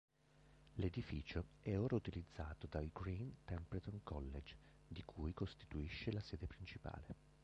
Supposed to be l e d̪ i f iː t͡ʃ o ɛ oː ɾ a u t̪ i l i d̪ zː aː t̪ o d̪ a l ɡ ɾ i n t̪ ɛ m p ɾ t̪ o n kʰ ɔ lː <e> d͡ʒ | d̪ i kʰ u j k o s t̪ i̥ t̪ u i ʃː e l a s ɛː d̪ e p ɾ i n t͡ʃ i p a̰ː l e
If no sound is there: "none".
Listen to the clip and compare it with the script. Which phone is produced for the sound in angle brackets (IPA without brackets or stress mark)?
e